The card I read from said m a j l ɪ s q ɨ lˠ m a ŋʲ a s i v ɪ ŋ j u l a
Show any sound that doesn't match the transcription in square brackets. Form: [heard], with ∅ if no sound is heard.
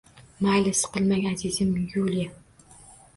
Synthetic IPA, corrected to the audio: m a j l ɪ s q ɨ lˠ m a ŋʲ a [z] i [z] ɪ [m] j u l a